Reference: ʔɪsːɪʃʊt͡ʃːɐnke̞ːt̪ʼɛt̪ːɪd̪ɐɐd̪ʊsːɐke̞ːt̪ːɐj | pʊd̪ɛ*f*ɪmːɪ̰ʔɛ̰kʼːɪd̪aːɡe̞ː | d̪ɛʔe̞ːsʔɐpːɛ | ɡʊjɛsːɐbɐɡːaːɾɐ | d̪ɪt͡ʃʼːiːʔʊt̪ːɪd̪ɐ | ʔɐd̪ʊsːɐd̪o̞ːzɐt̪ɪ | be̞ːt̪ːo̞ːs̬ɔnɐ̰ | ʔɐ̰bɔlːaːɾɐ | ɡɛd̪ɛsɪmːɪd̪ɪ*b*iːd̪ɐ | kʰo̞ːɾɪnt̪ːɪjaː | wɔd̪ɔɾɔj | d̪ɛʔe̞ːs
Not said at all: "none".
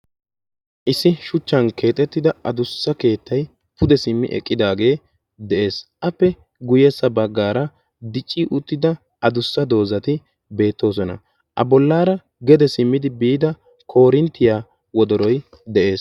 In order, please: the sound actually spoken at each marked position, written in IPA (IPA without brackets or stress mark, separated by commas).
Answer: s, b